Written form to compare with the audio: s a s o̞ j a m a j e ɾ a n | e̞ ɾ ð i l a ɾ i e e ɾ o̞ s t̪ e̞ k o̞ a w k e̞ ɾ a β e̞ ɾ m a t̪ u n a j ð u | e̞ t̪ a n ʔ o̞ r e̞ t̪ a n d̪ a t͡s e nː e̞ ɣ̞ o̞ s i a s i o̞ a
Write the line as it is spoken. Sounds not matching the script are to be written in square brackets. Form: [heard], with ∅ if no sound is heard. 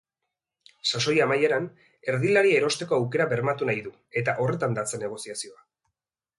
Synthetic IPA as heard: s a s o̞ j a m a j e ɾ a n | e̞ ɾ ð i l a ɾ i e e ɾ o̞ s t̪ e̞ k o̞ a w k e̞ ɾ a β e̞ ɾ m a t̪ u n a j ð u | e̞ t̪ a [∅] ʔ o̞ r e̞ t̪ a n d̪ a t͡s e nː e̞ ɣ̞ o̞ s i a s i o̞ a